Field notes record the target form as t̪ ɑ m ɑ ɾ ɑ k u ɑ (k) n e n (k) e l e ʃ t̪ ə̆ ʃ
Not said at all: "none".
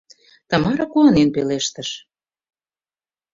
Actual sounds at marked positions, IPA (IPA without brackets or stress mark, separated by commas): none, p